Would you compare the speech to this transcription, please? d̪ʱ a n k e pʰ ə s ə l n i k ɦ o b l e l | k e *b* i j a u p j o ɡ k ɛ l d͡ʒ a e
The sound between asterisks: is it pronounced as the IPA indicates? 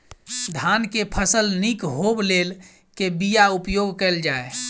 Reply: yes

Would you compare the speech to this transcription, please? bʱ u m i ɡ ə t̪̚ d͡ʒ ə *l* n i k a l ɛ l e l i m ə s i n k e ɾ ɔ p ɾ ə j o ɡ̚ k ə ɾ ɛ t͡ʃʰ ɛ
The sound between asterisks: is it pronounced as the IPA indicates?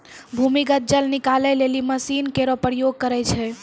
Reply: yes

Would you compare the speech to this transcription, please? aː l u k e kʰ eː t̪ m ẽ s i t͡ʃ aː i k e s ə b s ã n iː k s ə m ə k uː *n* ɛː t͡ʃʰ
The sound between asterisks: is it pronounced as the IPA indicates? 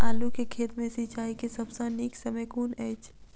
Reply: yes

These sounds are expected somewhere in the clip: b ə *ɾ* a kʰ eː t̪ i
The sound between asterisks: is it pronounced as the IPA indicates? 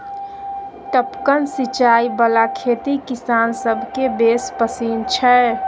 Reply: no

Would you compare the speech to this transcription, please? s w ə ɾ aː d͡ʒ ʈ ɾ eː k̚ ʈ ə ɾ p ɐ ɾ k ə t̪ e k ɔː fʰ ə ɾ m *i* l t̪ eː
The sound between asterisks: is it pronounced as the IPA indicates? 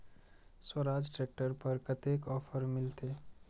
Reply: no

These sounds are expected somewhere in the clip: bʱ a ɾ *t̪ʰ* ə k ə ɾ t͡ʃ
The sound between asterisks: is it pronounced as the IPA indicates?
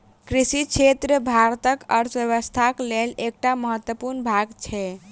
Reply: no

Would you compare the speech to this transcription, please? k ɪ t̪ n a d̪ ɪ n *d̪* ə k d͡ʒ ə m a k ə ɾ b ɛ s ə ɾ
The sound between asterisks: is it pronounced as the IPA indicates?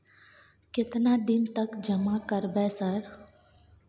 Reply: no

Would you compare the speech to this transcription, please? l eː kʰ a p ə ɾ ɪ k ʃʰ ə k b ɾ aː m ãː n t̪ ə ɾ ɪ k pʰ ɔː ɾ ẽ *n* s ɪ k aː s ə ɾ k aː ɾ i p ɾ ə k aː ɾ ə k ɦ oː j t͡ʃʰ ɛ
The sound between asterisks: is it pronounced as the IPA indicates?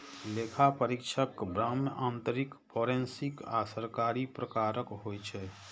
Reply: yes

